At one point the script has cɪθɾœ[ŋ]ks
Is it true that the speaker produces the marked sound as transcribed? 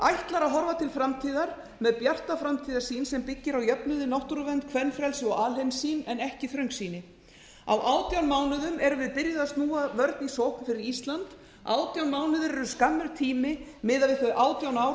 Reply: yes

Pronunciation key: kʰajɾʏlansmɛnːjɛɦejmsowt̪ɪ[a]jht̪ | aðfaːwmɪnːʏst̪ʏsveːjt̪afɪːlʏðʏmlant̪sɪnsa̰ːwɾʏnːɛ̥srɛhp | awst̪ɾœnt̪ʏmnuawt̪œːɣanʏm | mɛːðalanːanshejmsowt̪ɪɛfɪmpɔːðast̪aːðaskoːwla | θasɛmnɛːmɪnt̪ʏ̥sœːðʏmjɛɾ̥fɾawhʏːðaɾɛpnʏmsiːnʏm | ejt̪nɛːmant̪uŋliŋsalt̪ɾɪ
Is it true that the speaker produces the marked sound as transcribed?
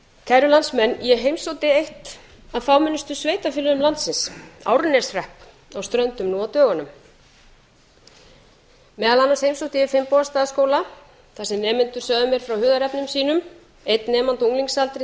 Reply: no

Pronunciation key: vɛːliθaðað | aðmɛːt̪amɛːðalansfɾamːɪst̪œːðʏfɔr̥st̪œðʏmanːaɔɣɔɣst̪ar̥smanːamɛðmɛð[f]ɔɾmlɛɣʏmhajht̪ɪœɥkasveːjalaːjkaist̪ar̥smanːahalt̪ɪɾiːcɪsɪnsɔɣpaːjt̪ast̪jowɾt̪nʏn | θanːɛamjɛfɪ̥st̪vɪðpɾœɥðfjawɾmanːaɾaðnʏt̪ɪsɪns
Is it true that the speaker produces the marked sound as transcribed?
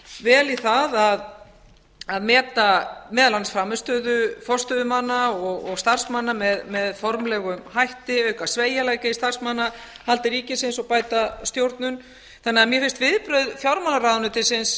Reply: yes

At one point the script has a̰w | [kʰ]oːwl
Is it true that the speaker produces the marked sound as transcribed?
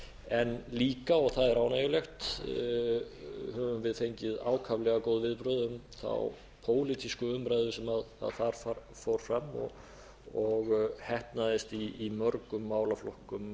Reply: no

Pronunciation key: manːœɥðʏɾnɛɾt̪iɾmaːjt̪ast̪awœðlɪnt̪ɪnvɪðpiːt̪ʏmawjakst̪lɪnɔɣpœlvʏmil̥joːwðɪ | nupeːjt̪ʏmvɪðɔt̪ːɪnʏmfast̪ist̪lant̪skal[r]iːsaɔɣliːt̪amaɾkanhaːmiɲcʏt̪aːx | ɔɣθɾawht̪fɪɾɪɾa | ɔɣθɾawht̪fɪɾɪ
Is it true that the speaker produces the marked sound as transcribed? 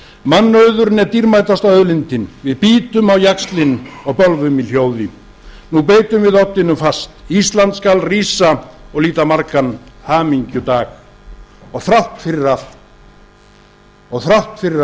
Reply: yes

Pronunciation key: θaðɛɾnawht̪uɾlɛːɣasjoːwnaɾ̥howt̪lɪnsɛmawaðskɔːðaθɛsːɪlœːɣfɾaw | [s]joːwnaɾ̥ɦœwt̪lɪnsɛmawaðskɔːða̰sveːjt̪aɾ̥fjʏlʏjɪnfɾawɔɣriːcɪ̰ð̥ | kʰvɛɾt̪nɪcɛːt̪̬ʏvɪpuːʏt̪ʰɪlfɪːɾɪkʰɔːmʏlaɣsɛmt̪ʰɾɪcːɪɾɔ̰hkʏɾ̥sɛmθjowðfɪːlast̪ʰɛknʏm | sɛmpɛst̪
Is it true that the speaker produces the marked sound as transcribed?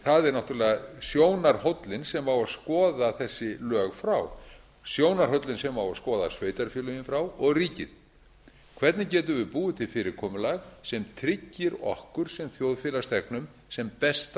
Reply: yes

